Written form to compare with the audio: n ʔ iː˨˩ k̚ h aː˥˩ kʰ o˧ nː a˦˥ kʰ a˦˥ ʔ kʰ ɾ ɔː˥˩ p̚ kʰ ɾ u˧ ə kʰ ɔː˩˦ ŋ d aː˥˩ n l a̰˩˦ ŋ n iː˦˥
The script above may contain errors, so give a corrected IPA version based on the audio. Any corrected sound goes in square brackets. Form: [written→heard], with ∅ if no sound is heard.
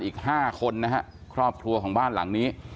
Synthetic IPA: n ʔ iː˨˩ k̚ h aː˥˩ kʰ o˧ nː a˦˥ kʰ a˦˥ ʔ kʰ ɾ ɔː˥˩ p̚ kʰ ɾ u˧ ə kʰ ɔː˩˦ ŋ [d→b] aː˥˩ n l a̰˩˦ ŋ n iː˦˥